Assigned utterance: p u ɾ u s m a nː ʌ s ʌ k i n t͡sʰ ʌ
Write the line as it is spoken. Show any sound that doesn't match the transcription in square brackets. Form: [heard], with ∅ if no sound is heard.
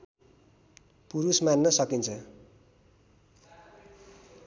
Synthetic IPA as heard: p u ɾ u s m a nː ʌ s ʌ k i n t͡sʰ ʌ